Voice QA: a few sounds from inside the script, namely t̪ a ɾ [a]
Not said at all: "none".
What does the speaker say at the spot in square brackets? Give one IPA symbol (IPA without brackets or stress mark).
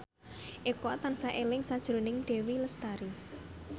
i